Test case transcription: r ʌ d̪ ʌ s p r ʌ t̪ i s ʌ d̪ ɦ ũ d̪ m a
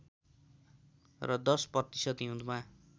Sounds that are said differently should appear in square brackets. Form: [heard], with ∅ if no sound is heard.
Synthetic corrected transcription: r ʌ d̪ ʌ s p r ʌ t̪ i s ʌ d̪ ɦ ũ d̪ m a